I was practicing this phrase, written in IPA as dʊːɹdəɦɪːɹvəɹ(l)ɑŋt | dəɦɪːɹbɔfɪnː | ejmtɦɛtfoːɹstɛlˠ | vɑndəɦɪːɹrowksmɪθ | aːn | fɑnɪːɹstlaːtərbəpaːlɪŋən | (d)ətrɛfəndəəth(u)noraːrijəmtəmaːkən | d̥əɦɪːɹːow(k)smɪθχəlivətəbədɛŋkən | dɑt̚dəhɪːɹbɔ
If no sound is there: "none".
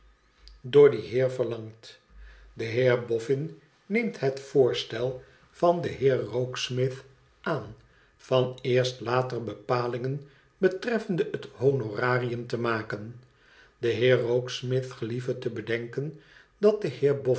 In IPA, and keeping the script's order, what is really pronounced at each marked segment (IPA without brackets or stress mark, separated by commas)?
l, b, o, k